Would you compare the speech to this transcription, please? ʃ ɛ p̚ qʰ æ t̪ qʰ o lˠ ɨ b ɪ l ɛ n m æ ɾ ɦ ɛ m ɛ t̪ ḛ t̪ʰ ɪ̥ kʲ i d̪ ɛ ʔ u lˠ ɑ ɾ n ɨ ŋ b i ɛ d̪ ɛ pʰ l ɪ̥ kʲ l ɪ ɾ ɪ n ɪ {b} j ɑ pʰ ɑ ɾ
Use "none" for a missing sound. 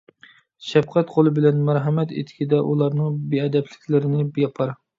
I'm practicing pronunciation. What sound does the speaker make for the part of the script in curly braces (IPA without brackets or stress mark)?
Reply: b